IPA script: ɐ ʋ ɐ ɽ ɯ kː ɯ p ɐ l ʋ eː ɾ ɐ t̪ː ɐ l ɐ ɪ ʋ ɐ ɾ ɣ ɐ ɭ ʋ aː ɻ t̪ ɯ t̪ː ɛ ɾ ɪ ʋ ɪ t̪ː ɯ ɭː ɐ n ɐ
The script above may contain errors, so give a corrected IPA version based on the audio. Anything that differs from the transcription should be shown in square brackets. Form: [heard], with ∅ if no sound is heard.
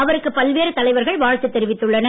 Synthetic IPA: ɐ ʋ ɐ [ɾ] ɯ kː ɯ p ɐ l ʋ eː ɾ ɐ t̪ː ɐ l ɐ ɪ ʋ ɐ ɾ ɣ ɐ ɭ ʋ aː ɻ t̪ ɯ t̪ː ɛ ɾ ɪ ʋ ɪ t̪ː ɯ ɭː ɐ n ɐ